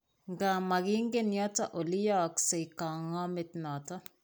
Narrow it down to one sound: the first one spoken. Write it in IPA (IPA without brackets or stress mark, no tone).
ŋ